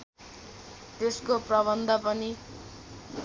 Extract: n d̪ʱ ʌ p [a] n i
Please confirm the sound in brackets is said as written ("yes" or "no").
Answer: no